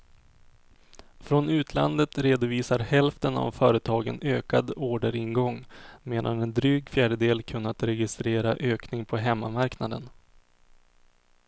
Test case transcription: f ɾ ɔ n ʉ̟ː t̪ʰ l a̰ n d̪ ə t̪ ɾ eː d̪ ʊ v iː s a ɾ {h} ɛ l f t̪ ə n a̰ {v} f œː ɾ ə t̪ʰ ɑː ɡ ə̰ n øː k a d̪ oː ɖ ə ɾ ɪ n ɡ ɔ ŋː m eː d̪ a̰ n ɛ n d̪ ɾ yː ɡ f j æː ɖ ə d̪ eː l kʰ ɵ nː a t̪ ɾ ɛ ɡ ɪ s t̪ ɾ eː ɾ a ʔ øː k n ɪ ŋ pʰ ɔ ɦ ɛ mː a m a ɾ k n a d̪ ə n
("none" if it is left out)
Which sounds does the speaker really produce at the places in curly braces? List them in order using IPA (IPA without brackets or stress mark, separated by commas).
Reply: h, v